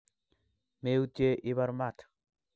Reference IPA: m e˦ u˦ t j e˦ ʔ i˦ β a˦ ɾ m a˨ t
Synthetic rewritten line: m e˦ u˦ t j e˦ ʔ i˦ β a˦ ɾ m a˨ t